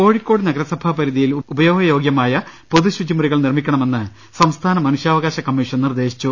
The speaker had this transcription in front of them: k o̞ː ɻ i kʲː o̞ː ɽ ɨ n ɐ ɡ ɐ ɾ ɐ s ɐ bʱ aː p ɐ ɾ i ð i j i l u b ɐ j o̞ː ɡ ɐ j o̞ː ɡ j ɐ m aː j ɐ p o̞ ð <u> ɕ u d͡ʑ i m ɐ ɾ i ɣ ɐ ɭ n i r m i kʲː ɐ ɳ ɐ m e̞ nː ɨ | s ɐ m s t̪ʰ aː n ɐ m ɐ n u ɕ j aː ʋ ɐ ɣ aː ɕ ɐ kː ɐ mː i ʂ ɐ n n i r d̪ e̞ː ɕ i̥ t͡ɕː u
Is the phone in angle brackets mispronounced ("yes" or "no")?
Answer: no